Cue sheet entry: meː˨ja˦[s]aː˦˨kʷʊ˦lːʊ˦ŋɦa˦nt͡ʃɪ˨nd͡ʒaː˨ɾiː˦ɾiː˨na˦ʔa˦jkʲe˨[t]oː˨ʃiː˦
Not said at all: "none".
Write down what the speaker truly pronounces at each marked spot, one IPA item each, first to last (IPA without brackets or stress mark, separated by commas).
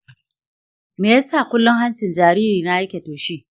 s, t